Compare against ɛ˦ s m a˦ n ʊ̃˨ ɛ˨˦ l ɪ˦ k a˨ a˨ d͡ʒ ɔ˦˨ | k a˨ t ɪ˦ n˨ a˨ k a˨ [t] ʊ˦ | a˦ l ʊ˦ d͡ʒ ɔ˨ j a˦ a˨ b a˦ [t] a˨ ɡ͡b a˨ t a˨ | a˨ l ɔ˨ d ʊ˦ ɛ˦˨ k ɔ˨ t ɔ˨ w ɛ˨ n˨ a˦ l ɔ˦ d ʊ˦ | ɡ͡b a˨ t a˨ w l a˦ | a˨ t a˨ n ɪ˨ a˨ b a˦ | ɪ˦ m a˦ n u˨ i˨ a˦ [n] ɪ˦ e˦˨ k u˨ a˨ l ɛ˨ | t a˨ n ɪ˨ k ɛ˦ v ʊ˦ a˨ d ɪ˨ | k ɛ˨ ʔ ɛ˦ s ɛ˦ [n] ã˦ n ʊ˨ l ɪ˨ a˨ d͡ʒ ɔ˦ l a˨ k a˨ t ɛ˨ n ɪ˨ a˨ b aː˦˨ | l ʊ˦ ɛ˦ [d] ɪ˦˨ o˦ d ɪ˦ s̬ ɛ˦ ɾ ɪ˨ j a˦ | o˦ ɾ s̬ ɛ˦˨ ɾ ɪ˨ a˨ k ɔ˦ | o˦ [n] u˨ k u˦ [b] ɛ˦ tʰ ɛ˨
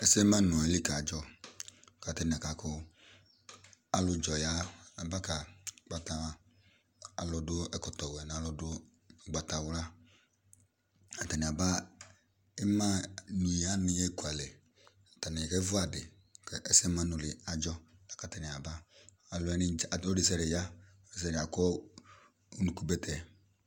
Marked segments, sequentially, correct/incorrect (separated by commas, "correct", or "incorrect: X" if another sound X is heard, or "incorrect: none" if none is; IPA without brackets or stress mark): incorrect: k, incorrect: k, correct, incorrect: m, incorrect: n, correct, correct